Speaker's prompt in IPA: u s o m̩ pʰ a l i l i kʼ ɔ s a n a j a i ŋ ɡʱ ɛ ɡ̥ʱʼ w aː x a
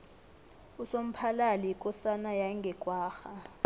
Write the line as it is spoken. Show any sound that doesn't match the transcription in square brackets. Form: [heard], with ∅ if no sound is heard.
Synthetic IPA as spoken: u s o m̩ pʰ a l [a] l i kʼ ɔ s a n a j a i ŋ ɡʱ ɛ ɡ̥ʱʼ w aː x a